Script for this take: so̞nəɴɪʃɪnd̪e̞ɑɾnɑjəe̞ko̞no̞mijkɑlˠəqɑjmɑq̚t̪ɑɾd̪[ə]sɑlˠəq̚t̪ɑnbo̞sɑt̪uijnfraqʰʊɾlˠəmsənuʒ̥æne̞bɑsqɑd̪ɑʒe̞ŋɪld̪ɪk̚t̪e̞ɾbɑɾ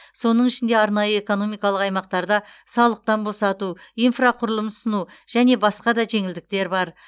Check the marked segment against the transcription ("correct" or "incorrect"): incorrect